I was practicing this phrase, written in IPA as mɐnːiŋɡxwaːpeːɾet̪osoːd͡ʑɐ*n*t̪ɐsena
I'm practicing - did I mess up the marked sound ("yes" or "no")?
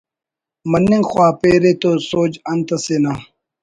no